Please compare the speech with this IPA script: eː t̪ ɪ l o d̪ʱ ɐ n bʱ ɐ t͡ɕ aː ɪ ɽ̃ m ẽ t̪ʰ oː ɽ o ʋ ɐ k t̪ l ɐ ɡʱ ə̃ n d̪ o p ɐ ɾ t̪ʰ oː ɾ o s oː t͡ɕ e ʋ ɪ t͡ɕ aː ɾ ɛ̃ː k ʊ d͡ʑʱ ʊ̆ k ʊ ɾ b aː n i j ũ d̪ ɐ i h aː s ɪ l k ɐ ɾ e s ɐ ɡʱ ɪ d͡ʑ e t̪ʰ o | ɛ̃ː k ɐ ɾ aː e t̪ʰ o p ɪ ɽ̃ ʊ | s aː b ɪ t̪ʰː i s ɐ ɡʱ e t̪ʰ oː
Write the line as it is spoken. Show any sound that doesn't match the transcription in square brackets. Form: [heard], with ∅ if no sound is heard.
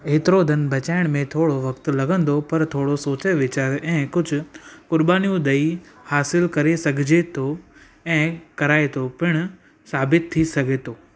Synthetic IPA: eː t̪ ɪ [ɾ] o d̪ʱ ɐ n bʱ ɐ t͡ɕ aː ɪ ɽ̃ m ẽ t̪ʰ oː ɽ o ʋ ɐ k t̪ l ɐ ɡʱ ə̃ n d̪ o p ɐ ɾ t̪ʰ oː [ɽ] o s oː t͡ɕ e ʋ ɪ t͡ɕ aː ɾ ɛ̃ː k ʊ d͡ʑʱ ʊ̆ k ʊ ɾ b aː n i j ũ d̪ ɐ i h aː s ɪ l k ɐ ɾ e s ɐ ɡʱ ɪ d͡ʑ e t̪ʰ o | ɛ̃ː k ɐ ɾ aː e t̪ʰ o p ɪ ɽ̃ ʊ | s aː b ɪ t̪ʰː i s ɐ ɡʱ e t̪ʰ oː